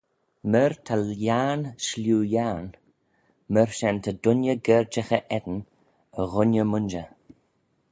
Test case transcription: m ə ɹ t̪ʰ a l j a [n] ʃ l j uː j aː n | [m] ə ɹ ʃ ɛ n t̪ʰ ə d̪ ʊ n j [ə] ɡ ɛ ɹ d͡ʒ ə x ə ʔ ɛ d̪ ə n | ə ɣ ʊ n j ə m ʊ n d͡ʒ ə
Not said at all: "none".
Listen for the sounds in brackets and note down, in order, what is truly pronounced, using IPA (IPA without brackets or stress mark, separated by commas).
n, m, ə